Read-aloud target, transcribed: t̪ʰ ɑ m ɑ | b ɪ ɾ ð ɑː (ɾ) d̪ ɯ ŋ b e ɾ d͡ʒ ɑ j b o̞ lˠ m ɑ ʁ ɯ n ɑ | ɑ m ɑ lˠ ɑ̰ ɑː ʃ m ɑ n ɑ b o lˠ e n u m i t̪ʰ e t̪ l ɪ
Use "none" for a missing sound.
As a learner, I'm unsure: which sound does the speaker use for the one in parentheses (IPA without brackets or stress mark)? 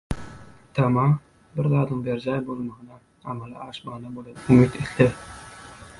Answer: none